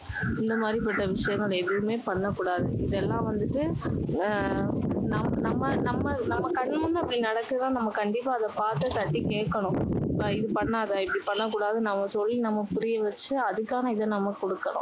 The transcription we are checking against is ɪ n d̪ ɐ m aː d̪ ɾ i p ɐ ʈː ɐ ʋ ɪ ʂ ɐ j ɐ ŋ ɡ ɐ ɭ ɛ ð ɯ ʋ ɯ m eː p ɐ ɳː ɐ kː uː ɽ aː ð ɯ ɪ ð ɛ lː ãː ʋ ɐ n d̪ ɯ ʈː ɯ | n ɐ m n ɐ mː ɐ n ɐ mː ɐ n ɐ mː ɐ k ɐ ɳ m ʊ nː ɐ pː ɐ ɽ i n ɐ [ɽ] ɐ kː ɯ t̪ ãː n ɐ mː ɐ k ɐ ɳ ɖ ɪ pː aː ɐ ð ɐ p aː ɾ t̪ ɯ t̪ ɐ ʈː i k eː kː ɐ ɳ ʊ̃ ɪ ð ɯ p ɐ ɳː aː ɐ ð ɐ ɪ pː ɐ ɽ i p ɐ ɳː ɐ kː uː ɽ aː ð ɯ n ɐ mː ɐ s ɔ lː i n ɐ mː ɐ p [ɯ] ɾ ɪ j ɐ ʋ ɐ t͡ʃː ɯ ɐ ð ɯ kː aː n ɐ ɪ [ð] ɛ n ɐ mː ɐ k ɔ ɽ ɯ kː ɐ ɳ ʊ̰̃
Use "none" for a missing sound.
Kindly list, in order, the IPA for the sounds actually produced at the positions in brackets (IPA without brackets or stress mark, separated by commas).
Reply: ɽ, ʊ, ð